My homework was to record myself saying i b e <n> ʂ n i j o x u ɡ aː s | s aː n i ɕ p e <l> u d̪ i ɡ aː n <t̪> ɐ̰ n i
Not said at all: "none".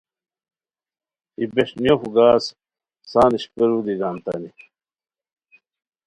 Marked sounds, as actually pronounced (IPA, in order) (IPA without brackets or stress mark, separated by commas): none, ɾ, t̪